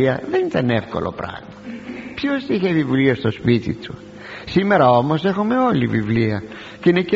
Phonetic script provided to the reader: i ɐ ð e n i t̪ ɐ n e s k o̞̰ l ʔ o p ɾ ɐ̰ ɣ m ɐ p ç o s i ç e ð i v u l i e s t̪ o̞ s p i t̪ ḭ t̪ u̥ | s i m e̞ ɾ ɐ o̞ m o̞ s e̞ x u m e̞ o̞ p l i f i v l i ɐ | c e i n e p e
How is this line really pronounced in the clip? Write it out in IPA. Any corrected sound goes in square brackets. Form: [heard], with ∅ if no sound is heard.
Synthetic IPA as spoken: i ɐ ð e n i t̪ ɐ n e [f] k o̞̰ l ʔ o p ɾ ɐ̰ ɣ m ɐ p ç o s i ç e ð i v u l i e s t̪ o̞ s p i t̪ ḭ t̪ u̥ | s i m e̞ ɾ ɐ o̞ m o̞ s e̞ x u m e̞ o̞ [∅] l i [v] i v l i ɐ | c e i n e [c] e